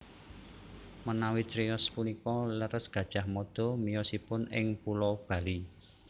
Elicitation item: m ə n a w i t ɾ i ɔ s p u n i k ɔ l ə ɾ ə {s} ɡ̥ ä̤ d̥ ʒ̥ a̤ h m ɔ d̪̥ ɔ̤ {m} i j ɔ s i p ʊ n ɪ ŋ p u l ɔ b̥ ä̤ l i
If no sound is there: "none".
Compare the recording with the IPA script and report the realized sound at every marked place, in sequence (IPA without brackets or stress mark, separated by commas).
s, m